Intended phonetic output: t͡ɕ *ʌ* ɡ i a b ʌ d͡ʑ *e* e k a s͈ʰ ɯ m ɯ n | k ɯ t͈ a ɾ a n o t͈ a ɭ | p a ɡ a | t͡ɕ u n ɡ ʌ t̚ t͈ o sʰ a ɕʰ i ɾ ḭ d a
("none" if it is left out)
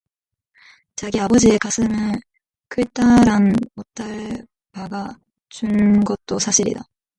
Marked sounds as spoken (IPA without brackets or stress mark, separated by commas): a, i